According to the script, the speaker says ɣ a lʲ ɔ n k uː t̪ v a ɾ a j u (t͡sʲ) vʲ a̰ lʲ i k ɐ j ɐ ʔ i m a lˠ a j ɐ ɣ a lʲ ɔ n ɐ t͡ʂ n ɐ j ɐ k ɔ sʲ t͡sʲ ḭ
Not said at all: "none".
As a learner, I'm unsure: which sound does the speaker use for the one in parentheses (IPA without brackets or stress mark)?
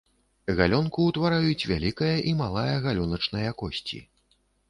t͡sʲ